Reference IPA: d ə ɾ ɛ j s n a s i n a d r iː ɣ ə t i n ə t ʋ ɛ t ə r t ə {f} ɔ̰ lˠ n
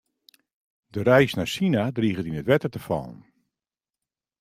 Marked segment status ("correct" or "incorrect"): correct